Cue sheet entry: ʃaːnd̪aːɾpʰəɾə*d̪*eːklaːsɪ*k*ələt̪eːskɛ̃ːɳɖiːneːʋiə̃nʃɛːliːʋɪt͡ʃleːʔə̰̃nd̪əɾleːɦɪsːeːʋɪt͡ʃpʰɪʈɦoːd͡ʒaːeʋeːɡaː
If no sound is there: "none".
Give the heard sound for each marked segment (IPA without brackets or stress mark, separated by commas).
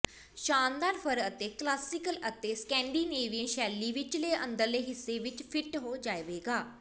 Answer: t̪, k